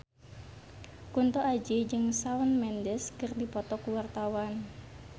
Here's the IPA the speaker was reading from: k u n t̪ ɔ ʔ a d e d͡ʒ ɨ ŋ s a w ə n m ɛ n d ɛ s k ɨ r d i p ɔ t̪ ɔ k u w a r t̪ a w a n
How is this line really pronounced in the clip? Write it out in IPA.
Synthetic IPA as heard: k u n t̪ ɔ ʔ a d͡ʒ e d͡ʒ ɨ ŋ s a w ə n m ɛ n d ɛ s k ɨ r d i p ɔ t̪ ɔ k u w a r t̪ a w a n